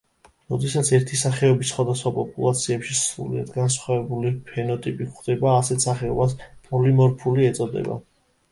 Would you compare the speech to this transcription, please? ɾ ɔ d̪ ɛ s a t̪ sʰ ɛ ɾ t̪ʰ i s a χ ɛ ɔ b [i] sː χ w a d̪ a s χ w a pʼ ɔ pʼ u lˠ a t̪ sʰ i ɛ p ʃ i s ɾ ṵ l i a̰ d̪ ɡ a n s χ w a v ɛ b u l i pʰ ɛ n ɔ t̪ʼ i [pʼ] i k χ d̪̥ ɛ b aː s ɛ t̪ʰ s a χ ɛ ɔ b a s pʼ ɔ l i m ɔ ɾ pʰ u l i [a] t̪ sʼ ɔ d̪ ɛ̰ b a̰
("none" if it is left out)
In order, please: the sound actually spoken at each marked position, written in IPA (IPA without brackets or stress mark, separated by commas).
i, pʼ, ɛ